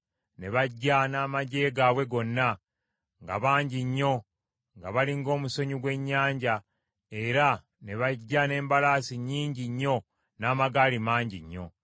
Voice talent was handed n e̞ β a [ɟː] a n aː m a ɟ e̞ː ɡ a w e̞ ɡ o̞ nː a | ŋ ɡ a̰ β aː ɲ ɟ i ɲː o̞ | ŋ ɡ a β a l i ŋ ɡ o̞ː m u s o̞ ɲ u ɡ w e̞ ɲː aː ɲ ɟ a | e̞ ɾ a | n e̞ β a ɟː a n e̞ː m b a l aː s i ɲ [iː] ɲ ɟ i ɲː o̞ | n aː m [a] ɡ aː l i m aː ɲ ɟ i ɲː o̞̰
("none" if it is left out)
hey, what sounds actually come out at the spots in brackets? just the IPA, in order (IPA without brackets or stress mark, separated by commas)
ɟː, iː, a